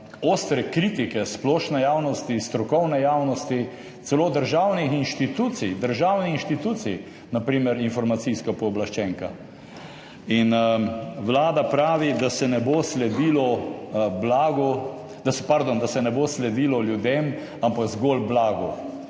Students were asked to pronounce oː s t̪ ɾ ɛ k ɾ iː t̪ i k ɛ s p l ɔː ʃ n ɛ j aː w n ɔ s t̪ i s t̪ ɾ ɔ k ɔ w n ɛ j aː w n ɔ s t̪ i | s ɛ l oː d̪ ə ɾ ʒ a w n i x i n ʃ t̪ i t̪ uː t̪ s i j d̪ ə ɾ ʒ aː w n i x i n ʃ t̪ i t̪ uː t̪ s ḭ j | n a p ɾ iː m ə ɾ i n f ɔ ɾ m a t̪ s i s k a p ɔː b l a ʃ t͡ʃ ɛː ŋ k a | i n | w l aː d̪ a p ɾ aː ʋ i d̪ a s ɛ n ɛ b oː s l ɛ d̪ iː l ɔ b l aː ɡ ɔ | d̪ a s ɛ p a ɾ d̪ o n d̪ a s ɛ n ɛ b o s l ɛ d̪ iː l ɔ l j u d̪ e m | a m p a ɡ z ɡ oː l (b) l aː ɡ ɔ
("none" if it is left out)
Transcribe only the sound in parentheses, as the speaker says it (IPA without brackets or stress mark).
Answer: b